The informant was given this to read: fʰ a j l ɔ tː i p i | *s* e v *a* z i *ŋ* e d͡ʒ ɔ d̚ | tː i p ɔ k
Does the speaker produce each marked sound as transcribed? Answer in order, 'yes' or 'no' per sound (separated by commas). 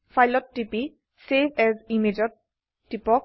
yes, no, no